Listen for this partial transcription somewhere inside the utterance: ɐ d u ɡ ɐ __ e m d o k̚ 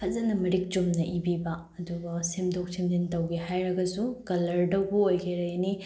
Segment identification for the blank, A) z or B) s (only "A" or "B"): B